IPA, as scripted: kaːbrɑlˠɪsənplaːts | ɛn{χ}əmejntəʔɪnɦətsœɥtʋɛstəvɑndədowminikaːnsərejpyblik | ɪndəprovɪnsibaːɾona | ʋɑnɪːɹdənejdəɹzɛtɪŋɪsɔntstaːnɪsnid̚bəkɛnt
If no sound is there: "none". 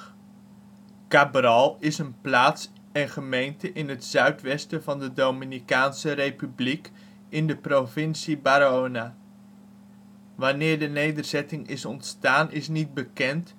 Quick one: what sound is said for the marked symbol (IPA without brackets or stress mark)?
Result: χ